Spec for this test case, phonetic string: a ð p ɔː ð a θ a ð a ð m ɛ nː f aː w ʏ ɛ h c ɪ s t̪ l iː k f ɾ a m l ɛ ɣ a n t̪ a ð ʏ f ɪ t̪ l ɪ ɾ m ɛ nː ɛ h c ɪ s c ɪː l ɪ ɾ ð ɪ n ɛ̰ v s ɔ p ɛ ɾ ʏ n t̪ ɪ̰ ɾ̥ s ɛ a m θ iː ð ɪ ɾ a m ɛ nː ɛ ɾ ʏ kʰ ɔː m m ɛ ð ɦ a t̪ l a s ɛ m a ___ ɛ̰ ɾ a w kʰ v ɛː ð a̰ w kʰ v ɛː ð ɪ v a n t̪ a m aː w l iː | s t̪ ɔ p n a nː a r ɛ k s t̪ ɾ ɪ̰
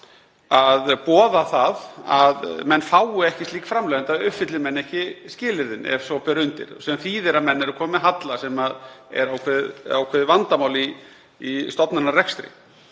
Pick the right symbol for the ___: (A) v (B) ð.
B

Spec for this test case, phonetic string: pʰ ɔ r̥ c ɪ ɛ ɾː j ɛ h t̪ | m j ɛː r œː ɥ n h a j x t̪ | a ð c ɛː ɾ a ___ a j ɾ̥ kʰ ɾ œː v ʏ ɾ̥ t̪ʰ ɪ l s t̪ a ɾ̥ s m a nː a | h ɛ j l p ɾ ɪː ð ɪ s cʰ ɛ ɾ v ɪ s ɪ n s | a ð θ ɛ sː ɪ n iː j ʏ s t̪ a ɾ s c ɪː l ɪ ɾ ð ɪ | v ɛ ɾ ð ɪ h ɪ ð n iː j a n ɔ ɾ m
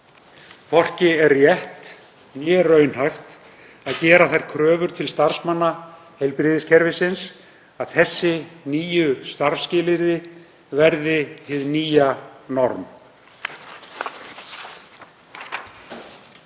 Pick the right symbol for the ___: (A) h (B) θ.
B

